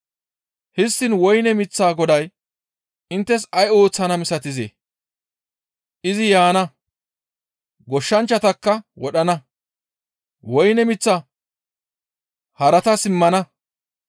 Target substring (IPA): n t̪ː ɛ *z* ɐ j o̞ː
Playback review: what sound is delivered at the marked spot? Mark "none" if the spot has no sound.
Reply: s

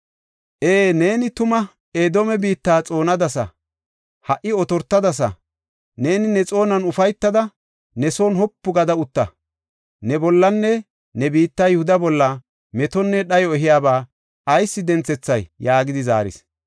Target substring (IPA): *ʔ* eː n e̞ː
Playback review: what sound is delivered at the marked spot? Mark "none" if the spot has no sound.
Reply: ʔ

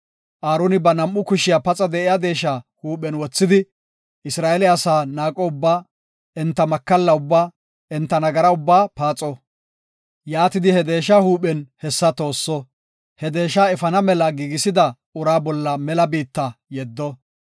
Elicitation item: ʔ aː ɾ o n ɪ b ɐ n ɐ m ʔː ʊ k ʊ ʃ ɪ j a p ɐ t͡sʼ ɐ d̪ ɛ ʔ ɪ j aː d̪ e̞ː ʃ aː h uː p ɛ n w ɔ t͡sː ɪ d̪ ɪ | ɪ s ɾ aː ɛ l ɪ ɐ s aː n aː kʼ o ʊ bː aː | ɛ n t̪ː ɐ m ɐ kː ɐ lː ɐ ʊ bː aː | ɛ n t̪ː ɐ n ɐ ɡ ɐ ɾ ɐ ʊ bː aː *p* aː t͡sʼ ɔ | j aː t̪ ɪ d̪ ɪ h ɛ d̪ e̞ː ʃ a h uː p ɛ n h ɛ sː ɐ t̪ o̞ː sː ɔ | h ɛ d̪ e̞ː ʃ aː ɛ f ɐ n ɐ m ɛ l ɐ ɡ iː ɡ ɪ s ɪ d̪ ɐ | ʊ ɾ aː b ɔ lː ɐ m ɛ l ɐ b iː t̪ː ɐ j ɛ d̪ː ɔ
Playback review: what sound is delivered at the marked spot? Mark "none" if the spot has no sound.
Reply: p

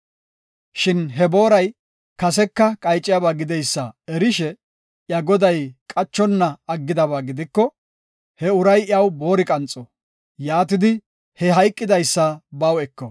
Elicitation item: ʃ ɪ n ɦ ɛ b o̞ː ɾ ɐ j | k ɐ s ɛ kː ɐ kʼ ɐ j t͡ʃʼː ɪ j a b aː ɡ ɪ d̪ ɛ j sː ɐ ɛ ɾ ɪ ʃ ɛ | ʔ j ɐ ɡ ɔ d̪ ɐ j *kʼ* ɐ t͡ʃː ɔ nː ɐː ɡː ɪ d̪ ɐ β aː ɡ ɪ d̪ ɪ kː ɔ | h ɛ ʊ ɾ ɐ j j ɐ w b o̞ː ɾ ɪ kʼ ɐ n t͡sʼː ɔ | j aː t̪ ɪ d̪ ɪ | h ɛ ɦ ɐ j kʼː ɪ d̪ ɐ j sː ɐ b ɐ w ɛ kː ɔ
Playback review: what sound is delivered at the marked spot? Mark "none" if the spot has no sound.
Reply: kʼ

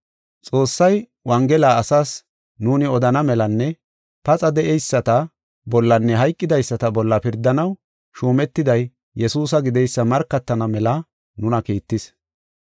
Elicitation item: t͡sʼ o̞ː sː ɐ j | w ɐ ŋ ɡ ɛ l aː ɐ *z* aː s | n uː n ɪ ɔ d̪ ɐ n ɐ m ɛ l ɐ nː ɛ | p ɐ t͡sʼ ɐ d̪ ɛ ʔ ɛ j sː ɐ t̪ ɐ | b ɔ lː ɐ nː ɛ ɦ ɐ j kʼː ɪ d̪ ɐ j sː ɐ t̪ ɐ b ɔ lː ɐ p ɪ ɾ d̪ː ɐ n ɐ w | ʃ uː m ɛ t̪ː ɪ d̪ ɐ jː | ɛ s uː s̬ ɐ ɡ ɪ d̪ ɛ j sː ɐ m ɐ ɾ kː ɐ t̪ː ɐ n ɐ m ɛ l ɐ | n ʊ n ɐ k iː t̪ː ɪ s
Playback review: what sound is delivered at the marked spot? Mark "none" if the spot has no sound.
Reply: s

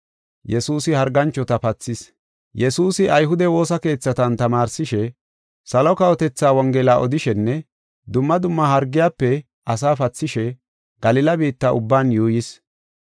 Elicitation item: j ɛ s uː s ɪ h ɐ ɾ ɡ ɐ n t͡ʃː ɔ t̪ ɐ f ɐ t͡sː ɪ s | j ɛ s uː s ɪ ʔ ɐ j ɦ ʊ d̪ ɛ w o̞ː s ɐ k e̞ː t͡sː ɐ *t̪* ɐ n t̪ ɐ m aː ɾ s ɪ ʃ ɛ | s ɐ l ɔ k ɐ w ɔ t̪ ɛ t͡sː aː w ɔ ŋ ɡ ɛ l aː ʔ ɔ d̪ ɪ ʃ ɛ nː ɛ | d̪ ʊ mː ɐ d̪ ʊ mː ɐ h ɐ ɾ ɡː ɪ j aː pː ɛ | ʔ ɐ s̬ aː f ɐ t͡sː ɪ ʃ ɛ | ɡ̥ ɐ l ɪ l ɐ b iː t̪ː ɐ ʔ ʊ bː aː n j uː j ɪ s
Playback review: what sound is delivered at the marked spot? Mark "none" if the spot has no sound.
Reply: t̪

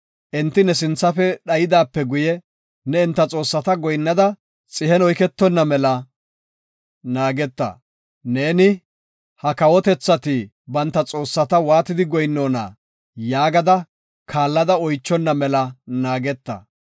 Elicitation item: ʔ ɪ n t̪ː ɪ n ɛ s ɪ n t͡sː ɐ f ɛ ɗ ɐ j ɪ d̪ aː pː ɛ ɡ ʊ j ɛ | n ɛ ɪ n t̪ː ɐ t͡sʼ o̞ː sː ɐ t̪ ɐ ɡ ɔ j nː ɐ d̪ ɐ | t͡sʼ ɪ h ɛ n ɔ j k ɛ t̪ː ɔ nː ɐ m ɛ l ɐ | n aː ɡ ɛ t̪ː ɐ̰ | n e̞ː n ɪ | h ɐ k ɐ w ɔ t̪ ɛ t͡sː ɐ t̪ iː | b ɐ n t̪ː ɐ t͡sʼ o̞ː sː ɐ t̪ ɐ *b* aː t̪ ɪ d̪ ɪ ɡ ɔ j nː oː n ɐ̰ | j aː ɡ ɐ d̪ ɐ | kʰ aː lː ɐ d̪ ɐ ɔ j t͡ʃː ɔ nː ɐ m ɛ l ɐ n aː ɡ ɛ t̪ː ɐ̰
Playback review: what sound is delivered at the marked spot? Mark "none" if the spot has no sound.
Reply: w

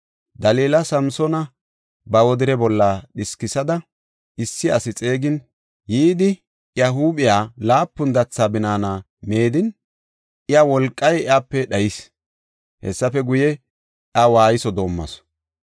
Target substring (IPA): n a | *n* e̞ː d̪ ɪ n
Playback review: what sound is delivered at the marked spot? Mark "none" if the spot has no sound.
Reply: m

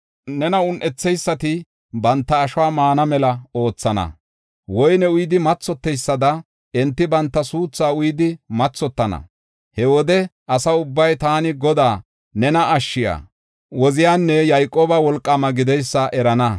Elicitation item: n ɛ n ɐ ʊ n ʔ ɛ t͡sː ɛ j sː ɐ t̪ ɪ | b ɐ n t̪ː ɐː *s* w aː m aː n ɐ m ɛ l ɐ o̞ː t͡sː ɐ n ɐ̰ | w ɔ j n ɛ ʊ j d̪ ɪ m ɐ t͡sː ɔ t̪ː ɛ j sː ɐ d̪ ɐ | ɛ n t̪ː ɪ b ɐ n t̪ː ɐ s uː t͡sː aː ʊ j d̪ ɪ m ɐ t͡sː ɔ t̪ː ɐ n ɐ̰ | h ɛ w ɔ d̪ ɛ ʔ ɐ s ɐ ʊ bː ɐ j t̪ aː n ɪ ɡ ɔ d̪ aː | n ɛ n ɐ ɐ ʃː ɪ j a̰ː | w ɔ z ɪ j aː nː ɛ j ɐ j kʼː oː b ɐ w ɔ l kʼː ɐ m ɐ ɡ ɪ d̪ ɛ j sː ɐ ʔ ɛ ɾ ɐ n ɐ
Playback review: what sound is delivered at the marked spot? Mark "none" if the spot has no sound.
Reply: ʃ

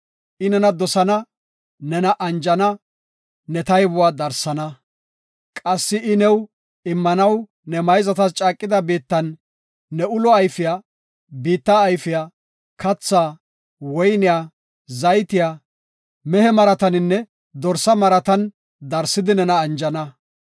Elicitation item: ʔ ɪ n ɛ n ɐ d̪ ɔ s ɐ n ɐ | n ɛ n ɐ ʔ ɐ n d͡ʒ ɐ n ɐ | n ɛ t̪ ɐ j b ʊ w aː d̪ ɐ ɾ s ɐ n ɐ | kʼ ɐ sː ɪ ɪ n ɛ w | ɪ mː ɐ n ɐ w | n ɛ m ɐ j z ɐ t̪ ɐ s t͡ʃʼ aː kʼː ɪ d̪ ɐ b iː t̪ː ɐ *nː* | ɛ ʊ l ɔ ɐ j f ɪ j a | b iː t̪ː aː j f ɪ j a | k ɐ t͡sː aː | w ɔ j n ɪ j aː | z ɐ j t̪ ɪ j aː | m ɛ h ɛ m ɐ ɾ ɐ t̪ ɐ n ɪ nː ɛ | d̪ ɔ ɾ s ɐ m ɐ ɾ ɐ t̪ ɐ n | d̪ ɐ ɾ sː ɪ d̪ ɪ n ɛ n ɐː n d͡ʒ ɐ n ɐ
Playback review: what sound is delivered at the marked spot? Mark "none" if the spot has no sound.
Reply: nː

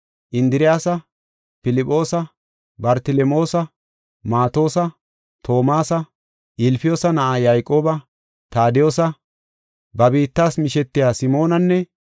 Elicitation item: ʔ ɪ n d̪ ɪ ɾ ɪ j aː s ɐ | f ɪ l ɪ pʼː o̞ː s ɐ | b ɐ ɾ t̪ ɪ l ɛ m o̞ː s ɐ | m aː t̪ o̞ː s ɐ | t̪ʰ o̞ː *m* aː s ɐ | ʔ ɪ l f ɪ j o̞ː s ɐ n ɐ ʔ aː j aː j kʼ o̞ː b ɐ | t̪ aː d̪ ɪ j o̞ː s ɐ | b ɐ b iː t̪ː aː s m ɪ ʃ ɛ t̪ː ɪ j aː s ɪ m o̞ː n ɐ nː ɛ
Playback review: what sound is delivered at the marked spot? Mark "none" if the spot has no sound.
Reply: m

